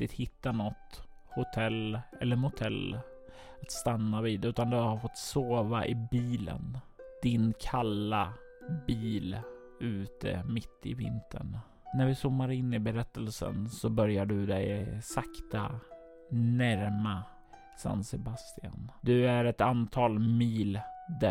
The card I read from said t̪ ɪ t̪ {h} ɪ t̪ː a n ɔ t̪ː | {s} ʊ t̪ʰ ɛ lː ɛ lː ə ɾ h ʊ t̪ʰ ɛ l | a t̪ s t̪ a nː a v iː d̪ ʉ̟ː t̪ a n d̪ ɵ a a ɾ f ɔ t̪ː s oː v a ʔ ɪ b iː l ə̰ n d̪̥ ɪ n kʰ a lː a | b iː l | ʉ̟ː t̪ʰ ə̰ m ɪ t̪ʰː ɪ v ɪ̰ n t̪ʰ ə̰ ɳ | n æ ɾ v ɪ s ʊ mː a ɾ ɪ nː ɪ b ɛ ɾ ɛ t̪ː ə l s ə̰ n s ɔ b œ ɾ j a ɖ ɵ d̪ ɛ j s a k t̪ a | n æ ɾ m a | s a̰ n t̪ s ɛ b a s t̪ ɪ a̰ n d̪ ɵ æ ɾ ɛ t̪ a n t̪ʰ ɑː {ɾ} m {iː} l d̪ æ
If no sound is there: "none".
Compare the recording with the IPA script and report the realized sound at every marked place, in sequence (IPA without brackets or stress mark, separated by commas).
h, h, l, iː